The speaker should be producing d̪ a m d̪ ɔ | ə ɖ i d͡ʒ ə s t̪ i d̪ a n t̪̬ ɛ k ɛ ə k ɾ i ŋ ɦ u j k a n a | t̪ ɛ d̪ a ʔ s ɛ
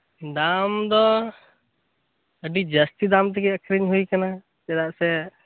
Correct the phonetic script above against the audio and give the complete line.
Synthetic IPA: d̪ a m d̪ ɔ | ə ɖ i d͡ʒ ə s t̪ i d̪ a m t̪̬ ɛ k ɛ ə k ɾ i ɲ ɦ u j k a n a | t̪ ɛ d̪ a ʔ s ɛ